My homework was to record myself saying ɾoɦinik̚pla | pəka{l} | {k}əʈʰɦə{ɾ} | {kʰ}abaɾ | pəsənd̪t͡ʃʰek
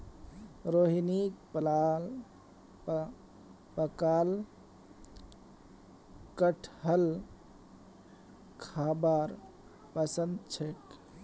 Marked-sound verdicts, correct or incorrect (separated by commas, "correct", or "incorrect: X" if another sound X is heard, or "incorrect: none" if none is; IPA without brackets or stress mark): correct, correct, incorrect: l, correct